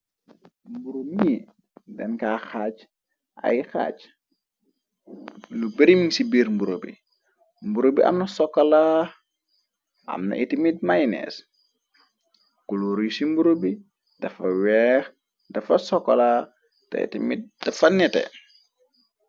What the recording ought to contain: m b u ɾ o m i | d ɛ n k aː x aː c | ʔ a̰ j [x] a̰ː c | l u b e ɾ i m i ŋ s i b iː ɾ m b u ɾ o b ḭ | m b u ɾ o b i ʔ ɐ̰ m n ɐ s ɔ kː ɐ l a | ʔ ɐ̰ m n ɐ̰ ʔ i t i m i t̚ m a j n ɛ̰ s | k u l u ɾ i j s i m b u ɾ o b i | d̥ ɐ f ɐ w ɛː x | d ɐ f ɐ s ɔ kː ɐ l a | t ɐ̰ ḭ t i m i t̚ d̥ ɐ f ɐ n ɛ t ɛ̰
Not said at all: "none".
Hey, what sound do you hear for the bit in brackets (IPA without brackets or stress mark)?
x